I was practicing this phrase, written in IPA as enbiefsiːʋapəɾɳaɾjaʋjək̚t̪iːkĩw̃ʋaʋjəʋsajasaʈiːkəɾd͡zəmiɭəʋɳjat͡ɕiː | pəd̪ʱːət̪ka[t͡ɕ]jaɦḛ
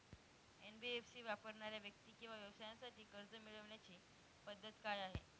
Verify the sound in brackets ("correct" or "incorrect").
incorrect